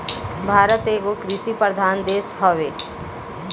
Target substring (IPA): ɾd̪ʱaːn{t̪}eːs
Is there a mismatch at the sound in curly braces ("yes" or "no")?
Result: yes